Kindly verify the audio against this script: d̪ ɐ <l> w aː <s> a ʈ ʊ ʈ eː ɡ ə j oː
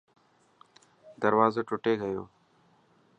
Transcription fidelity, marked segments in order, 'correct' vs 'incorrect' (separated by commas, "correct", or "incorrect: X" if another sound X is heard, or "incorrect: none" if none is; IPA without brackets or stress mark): incorrect: ɾ, incorrect: z